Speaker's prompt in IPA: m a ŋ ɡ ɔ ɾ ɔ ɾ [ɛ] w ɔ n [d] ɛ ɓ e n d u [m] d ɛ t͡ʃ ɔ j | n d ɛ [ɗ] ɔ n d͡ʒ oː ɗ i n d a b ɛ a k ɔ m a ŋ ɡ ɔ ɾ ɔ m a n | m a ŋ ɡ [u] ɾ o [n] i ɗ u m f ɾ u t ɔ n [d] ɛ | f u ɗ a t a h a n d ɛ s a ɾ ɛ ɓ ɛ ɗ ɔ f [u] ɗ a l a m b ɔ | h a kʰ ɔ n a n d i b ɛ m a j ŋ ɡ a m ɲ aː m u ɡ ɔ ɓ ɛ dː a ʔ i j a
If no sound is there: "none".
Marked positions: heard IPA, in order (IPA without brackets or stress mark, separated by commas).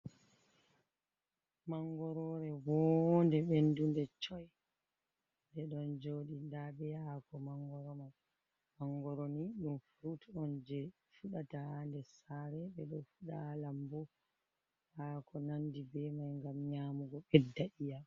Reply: ɛ, d, n, ɗ, ɔ, n, d͡ʒ, u